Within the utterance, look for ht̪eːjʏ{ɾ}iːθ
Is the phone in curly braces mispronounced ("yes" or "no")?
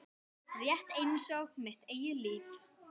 yes